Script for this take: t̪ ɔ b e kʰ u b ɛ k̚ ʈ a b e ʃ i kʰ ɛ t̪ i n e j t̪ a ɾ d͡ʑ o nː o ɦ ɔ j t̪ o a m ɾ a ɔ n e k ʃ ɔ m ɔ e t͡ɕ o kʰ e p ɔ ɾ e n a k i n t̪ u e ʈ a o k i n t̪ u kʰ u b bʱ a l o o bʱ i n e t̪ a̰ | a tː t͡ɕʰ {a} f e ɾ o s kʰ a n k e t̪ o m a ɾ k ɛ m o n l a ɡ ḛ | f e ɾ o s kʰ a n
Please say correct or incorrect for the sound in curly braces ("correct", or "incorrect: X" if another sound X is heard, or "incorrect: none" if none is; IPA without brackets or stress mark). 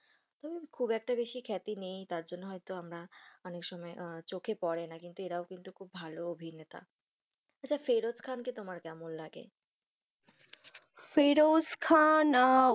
correct